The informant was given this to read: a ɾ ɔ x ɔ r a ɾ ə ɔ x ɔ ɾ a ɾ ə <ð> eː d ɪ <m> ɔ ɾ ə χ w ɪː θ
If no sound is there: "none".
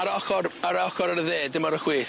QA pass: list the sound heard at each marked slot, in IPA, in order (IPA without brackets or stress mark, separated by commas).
ð, m